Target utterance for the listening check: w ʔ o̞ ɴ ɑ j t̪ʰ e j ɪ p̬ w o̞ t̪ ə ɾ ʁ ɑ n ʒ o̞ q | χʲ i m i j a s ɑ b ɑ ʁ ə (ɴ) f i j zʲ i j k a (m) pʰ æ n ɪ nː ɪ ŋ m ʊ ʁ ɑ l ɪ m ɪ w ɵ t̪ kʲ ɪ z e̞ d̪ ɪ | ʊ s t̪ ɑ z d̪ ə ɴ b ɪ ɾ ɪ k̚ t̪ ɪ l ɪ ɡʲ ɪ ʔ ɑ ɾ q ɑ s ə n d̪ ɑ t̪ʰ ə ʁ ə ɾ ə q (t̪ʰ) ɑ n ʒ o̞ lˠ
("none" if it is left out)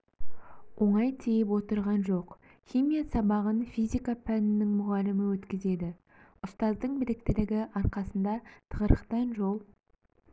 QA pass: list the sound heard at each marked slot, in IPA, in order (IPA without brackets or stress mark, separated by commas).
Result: n, none, t̪